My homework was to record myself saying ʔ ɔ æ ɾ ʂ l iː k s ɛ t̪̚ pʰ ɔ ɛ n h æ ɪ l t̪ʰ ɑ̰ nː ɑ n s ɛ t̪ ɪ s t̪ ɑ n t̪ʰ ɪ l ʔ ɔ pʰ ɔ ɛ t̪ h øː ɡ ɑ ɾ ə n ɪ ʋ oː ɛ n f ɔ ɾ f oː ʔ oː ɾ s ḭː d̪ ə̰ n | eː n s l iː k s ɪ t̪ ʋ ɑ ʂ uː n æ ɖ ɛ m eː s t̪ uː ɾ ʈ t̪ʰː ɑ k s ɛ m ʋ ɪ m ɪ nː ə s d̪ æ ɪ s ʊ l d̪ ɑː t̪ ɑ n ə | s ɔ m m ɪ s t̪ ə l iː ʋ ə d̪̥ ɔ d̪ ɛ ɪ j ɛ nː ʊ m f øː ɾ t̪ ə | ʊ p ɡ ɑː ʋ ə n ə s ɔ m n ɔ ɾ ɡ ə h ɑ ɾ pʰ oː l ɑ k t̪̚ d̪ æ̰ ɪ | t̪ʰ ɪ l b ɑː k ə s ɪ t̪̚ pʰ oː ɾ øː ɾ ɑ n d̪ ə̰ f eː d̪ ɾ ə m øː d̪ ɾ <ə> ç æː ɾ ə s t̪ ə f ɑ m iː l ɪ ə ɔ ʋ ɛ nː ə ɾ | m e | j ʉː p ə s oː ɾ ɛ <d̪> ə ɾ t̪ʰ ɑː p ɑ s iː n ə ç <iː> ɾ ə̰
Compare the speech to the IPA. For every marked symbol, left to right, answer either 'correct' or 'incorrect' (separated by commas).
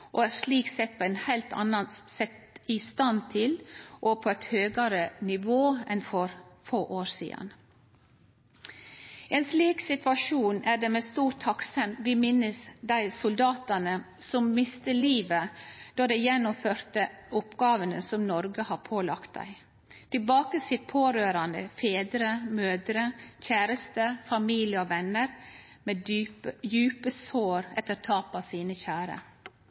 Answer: correct, incorrect, incorrect